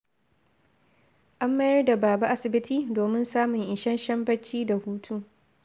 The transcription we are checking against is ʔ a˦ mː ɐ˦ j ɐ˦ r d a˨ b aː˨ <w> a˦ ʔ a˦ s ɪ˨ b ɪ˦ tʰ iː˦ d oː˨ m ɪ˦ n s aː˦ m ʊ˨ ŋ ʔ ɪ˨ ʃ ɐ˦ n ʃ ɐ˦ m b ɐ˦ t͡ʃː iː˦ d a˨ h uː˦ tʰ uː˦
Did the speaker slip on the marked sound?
yes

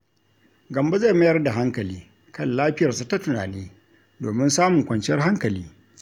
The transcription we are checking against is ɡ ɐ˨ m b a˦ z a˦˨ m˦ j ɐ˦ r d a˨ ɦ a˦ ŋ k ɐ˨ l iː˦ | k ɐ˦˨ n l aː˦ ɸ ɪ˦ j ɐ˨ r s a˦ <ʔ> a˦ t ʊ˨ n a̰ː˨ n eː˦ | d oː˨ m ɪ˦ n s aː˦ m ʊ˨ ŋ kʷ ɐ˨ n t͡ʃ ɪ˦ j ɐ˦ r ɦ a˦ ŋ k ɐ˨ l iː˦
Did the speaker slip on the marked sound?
yes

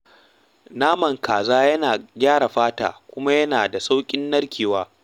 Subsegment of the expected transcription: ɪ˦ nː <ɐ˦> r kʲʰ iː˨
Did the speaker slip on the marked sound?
no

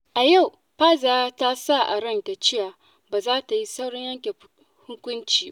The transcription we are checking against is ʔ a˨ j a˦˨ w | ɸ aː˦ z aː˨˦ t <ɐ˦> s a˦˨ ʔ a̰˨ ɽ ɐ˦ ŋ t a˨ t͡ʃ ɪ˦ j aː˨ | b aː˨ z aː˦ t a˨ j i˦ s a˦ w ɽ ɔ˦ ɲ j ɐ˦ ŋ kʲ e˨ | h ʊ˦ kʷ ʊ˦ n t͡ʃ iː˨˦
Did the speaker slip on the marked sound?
yes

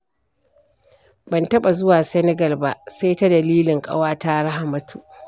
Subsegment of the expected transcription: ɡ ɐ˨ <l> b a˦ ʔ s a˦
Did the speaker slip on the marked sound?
no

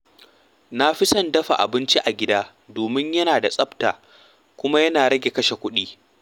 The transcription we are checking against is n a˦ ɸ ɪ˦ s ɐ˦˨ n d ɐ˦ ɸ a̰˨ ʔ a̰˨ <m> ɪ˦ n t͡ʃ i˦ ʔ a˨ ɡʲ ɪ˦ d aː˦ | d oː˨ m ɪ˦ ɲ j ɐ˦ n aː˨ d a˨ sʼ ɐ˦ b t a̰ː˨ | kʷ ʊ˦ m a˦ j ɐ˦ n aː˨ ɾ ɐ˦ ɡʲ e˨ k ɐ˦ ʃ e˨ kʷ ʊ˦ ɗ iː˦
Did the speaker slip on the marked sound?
yes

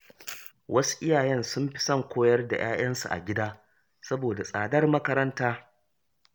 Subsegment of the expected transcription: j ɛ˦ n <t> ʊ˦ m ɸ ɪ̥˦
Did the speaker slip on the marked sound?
yes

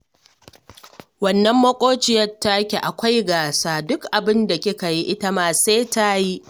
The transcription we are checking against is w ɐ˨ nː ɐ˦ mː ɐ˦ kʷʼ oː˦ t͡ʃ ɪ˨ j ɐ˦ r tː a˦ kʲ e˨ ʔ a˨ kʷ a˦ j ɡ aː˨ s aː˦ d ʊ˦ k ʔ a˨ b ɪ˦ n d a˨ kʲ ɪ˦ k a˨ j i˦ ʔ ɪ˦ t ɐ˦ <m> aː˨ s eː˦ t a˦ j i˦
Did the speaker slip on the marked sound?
no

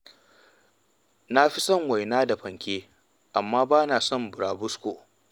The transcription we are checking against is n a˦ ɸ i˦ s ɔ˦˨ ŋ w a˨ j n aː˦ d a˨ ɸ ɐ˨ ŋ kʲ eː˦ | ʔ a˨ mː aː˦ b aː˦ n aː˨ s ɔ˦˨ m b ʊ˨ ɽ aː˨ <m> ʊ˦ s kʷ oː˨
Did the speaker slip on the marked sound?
yes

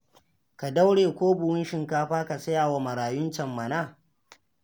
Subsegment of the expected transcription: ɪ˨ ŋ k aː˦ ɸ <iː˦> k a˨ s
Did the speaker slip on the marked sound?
yes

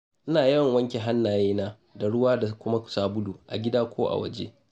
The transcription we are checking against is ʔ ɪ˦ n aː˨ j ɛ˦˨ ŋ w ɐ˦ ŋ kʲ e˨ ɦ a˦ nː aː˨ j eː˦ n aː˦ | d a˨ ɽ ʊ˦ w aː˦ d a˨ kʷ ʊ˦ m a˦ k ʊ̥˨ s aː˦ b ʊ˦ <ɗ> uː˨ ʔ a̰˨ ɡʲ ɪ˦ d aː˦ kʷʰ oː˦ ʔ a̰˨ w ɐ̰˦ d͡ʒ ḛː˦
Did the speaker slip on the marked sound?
yes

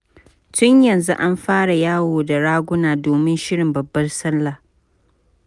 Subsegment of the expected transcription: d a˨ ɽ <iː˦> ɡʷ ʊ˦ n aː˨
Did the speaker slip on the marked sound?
yes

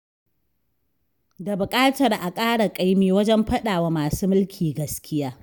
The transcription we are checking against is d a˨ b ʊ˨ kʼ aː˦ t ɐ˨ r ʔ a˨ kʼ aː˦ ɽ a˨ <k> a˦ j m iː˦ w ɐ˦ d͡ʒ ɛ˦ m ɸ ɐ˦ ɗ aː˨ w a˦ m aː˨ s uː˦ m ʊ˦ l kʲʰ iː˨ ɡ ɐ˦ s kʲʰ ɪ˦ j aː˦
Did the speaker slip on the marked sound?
yes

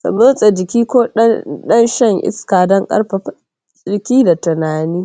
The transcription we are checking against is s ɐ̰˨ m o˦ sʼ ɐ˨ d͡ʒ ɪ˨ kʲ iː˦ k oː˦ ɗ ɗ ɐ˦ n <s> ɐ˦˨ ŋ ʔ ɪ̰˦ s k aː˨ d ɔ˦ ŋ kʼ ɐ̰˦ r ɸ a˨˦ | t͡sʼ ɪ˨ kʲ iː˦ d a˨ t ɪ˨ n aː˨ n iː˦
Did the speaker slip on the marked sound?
yes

